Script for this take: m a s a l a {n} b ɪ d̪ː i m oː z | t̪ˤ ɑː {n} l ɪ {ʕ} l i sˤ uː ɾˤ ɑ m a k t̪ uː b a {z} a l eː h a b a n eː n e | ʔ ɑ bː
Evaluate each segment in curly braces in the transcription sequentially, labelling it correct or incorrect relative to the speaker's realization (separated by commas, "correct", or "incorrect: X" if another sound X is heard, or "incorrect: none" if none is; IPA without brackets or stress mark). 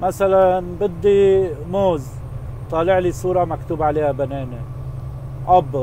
correct, incorrect: none, correct, incorrect: ʕ